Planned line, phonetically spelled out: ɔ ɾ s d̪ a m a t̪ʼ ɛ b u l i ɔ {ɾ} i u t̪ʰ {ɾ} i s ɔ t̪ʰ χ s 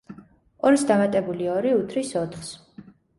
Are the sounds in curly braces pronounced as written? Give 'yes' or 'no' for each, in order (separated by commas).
yes, yes